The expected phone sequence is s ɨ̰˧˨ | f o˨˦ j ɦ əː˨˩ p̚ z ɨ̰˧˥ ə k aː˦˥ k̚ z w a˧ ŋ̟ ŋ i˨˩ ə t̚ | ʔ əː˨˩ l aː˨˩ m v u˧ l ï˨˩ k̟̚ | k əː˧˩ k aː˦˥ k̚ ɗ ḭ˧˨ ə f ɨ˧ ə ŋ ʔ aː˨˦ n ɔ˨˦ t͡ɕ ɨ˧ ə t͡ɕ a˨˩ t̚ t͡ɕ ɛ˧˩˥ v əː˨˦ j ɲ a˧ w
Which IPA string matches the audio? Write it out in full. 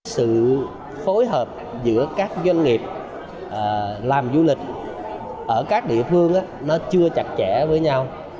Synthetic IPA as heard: s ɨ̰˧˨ | f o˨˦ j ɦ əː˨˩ p̚ z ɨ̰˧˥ ə k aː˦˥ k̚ z w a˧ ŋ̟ ŋ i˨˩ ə p̚ | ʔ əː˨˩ l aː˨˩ m z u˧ l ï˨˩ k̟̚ | ʔ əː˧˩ k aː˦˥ k̚ ɗ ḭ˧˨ ə f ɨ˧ ə ŋ ʔ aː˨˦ n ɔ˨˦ t͡ɕ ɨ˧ ə t͡ɕ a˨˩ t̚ t͡ɕ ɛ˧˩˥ v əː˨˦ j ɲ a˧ w